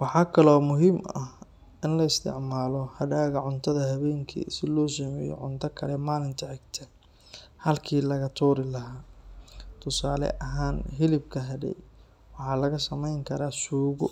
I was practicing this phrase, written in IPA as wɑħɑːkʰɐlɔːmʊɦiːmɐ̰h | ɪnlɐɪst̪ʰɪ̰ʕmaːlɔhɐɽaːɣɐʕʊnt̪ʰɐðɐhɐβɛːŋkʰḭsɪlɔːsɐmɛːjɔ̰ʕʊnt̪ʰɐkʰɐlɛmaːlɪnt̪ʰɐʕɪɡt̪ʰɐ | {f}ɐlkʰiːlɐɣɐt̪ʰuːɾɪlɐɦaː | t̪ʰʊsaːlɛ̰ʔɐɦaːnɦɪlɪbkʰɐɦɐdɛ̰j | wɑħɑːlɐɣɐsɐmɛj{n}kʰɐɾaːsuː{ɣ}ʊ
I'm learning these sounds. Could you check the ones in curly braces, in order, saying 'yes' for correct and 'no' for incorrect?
no, no, yes

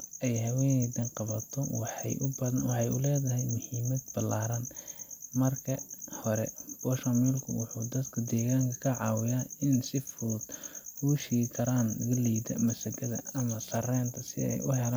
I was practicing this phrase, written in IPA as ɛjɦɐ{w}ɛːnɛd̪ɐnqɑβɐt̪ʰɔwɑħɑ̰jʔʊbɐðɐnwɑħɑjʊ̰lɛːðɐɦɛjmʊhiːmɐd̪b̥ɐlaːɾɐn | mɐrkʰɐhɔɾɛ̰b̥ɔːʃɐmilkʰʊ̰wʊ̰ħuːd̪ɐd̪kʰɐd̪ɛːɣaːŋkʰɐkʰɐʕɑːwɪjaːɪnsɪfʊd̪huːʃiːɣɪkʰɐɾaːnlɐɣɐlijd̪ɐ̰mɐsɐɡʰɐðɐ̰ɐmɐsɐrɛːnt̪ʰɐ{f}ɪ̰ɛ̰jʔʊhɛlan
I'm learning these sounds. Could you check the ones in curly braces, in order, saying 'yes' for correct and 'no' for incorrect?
yes, no

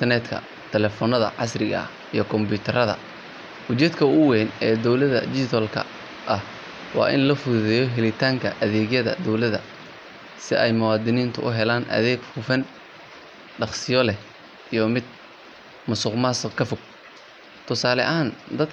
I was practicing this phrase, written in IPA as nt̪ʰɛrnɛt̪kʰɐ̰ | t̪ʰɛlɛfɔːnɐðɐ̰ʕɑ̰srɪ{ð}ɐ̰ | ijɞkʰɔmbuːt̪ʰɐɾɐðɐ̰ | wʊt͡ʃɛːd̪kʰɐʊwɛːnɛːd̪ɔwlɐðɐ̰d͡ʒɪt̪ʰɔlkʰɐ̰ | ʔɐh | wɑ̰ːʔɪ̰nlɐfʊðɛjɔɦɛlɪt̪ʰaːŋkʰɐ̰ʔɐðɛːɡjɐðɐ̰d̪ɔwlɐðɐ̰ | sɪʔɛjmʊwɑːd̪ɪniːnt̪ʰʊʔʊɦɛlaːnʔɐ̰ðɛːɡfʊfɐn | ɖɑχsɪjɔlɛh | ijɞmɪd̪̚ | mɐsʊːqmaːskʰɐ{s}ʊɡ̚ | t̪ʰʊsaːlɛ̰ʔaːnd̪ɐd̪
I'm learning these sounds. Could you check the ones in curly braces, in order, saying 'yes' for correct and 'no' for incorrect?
no, no

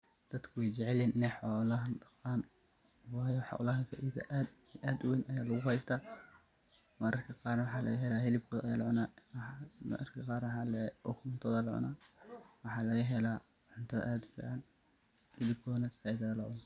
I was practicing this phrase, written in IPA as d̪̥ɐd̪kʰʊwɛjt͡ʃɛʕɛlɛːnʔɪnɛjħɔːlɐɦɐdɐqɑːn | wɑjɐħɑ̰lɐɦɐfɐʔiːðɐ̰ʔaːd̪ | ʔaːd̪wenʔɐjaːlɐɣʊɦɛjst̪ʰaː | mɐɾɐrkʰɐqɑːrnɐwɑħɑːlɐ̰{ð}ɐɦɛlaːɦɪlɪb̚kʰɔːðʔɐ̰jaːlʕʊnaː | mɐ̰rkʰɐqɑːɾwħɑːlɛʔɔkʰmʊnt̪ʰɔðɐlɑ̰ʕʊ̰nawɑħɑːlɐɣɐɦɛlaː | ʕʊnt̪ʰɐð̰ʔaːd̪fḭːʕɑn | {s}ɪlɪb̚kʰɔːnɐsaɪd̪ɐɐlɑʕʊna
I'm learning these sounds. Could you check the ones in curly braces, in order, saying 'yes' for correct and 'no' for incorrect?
no, no

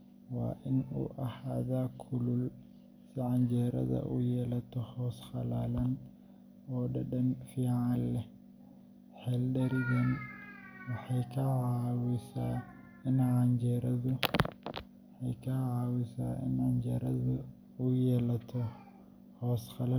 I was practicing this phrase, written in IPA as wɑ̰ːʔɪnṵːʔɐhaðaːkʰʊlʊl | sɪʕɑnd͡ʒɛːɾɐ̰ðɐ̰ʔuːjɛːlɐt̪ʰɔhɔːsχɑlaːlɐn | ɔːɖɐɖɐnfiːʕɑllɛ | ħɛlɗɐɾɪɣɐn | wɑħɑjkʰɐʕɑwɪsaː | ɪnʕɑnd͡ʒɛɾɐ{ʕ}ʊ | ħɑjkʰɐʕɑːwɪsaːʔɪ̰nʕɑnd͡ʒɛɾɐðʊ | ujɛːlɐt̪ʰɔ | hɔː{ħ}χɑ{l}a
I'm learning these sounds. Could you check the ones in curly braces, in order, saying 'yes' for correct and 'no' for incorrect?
no, no, yes

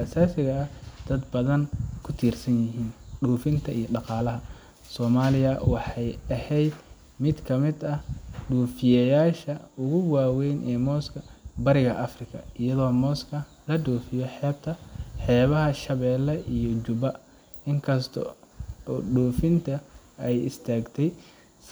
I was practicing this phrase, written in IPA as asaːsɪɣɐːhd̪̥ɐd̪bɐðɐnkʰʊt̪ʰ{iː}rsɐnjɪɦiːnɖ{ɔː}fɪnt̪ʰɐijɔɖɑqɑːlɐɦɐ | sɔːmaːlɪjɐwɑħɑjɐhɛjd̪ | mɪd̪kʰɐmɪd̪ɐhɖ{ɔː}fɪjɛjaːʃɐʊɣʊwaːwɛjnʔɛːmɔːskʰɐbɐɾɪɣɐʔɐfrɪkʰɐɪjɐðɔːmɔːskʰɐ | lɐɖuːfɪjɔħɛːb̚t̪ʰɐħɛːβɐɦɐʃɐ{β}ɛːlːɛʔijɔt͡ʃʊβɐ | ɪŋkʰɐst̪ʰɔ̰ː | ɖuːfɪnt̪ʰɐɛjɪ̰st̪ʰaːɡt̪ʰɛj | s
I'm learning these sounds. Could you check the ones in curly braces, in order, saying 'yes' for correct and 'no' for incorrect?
yes, no, no, yes

